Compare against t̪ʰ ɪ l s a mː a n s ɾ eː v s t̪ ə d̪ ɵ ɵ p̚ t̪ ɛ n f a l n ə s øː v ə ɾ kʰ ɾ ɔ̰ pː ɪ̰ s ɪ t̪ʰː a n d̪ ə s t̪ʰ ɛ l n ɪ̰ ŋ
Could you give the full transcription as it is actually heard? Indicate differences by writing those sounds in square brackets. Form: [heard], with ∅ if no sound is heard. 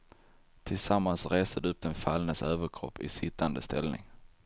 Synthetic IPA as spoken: t̪ʰ ɪ l s a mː a n s ɾ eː [∅] s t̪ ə d̪ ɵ ɵ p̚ [d̪] ɛ n f a l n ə s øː v ə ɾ kʰ ɾ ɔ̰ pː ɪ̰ s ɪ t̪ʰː a n d̪ ə s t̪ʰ ɛ l n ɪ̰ ŋ

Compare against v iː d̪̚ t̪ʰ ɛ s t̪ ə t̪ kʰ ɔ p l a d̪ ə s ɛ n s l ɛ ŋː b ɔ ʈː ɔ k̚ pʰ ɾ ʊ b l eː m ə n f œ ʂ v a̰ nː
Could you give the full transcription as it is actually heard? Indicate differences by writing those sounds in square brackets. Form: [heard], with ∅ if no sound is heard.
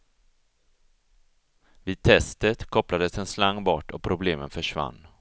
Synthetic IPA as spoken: v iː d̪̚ t̪ʰ ɛ s t̪ ə t̪ kʰ ɔ p l a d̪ ə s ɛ n s l [a] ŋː b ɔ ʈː ɔ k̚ pʰ ɾ ʊ b l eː m ə n f œ ʂ v a̰ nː

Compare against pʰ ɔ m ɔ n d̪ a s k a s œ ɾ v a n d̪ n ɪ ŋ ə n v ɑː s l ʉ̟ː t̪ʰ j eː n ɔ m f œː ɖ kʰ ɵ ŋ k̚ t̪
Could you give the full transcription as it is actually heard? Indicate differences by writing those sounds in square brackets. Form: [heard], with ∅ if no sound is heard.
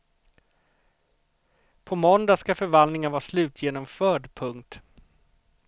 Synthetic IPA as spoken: pʰ ɔ m ɔ n d̪ a s k a [f] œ ɾ v a n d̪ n ɪ ŋ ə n v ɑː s l ʉ̟ː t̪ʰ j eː n ɔ m f œː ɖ [pʰ] ɵ ŋ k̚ t̪

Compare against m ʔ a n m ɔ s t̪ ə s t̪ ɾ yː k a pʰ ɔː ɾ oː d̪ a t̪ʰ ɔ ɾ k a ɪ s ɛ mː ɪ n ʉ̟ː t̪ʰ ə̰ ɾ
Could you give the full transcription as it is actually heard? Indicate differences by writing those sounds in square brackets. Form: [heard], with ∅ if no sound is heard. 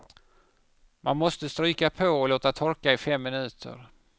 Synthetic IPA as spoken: m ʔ a n m ɔ s t̪ ə s t̪ ɾ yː k a pʰ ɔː [l] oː [t̪] a t̪ʰ ɔ ɾ k a ɪ [f] ɛ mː ɪ n ʉ̟ː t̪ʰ ə̰ ɾ

